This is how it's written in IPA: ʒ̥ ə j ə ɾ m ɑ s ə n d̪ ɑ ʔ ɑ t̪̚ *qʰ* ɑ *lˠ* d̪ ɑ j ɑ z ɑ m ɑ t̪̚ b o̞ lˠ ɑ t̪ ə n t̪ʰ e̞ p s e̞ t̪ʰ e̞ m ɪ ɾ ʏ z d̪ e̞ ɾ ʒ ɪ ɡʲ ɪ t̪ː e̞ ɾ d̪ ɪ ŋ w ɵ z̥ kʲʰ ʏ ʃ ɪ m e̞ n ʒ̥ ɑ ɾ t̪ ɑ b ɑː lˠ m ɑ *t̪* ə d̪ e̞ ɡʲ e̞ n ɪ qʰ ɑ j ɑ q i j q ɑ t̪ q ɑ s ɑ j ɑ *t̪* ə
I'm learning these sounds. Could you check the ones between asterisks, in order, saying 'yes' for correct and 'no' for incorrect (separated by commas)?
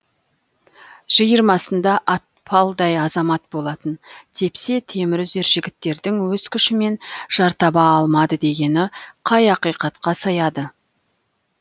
no, yes, no, no